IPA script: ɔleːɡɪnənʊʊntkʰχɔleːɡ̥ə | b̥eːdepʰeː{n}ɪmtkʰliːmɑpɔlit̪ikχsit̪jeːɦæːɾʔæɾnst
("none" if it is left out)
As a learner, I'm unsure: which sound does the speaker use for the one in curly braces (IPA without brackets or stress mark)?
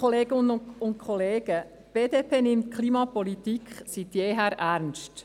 n